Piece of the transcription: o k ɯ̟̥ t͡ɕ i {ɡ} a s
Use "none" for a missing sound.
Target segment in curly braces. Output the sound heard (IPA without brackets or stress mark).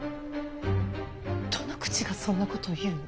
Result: ɡ